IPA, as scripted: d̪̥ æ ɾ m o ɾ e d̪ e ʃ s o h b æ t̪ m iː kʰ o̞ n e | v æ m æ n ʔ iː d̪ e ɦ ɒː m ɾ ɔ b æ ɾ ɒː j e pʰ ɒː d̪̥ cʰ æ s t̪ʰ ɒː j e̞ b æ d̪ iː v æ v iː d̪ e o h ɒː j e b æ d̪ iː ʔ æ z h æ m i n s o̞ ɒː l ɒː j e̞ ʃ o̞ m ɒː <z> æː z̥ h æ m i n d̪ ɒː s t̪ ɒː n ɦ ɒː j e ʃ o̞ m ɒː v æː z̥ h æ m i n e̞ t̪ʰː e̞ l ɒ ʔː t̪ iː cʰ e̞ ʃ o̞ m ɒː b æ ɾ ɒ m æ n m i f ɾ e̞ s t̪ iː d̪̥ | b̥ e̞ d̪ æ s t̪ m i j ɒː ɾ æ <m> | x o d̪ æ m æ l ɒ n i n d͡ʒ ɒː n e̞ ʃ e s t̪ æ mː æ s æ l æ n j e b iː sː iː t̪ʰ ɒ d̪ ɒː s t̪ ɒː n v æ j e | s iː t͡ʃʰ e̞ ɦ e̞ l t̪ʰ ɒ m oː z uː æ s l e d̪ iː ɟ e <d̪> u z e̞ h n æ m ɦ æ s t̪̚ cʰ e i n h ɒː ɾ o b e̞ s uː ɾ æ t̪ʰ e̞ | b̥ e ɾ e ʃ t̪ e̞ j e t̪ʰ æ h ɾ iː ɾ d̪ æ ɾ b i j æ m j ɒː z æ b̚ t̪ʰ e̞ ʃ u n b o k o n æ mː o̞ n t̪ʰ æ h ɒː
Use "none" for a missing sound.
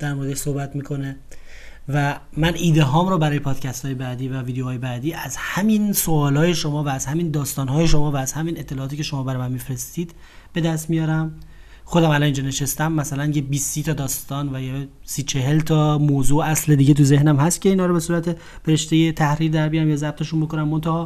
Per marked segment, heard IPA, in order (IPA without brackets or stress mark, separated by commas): v, m, t̪